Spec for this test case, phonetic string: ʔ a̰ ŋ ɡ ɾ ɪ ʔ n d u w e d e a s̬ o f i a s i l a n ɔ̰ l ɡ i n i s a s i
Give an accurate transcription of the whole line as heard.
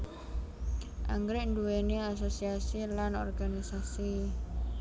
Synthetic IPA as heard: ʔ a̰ ŋ ɡ ɾ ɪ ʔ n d u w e n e a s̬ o s i a s i l a n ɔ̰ r ɡ a n i s a s i